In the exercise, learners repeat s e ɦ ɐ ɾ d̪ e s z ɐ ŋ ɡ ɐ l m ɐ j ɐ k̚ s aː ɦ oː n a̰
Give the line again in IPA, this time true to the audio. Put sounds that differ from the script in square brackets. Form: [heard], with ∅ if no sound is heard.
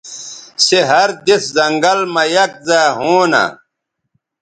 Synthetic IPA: s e ɦ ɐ ɾ d̪ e s z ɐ ŋ ɡ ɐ l m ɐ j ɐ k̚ [z] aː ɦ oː n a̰